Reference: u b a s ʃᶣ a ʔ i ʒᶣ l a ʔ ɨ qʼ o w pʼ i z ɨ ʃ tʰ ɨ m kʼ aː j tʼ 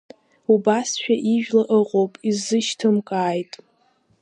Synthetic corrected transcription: u b a s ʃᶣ a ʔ i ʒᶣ l a ʔ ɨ qʼ o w pʼ i z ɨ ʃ tʰ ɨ m kʼ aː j tʼ

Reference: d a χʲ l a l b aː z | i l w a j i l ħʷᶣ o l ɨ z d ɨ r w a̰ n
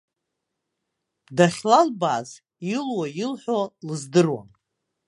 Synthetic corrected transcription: d a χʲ l a l b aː z | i l w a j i l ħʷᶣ o l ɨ z d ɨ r w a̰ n

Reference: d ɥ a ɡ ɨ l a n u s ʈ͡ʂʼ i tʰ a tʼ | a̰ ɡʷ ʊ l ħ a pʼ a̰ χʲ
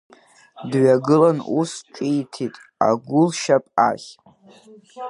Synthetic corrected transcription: d ɥ a ɡ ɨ l a n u s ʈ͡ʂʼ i tʰ i tʼ | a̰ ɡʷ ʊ l ʃ a pʼ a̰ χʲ

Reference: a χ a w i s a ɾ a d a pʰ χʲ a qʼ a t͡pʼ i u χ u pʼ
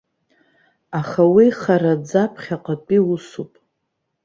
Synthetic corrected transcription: a χ a w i χ a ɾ a d͡z a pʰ χʲ a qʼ a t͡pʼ i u s u pʼ

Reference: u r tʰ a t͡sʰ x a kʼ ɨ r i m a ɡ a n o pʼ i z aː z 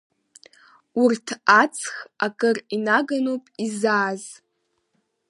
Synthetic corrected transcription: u r tʰ a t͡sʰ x a kʼ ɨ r i n a ɡ a n o pʼ i z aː z

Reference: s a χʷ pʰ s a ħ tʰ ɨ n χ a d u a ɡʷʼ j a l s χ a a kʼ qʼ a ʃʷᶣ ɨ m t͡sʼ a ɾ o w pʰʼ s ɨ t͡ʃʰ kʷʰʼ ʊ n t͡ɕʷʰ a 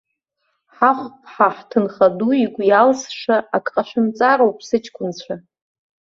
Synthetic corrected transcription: ħ a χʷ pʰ ħ a ħ tʰ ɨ n χ a d u i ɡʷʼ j a l s ʂ a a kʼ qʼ a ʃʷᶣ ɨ m t͡sʼ a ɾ o w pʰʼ s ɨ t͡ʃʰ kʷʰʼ ʊ n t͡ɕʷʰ a

